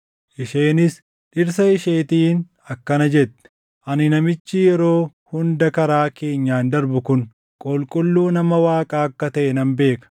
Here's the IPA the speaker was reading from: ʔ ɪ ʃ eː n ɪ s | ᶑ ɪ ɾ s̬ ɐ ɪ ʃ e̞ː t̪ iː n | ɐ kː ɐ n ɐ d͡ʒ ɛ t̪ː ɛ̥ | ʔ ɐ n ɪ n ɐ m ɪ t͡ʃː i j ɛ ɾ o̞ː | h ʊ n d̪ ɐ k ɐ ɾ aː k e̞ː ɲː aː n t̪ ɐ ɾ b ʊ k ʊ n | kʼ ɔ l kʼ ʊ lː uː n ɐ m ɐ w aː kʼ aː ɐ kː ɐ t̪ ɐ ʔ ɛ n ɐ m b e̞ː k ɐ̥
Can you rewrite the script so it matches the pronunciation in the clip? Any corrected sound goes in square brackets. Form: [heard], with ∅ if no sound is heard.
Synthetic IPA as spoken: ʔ ɪ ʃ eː n ɪ s | ᶑ ɪ ɾ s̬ ɐ ɪ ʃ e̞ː t̪ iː n | ɐ kː ɐ n ɐ d͡ʒ ɛ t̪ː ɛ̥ | ʔ ɐ n ɪ n ɐ m ɪ t͡ʃː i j ɛ ɾ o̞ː | h ʊ n d̪ ɐ k ɐ ɾ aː k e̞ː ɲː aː n [d̪] ɐ ɾ b ʊ k ʊ n | kʼ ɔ l kʼ ʊ lː uː n ɐ m ɐ w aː kʼ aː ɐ kː ɐ t̪ ɐ ʔ ɛ n ɐ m b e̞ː k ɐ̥